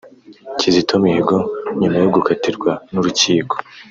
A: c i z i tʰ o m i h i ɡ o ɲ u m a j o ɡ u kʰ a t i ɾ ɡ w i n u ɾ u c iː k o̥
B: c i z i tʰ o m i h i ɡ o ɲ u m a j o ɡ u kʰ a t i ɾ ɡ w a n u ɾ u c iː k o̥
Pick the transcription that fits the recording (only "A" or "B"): B